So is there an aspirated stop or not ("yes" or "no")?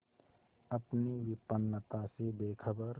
yes